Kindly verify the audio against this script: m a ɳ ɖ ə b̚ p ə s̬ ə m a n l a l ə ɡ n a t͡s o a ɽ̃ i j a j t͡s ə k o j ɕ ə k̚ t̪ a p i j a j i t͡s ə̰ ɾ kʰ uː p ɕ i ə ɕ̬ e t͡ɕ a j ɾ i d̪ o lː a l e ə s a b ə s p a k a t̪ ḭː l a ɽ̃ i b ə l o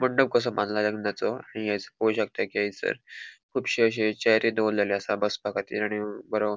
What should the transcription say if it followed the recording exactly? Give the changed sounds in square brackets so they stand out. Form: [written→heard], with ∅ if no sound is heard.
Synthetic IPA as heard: m [a→ə] ɳ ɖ ə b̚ [p→k] ə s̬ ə m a n l a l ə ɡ n a t͡s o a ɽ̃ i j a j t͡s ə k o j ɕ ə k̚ t̪ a [p→k] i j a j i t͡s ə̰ ɾ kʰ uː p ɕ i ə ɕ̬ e t͡ɕ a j ɾ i d̪ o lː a l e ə s a b ə s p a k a t̪ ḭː l a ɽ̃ i b ə [l→ɾ] o